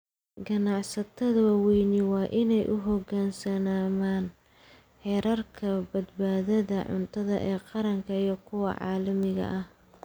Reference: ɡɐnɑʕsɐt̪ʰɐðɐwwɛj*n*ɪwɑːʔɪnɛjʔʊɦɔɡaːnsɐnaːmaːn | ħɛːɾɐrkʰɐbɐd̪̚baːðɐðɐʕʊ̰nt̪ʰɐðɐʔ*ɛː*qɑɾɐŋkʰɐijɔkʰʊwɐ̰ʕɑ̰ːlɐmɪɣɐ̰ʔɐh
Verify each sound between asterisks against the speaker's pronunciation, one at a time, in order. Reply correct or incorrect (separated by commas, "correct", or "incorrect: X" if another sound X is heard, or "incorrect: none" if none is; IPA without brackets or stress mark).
correct, correct